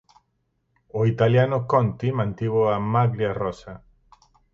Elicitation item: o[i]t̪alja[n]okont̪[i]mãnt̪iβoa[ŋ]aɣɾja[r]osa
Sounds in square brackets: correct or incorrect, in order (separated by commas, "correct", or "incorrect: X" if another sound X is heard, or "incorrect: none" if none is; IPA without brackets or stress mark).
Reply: correct, correct, correct, incorrect: m, correct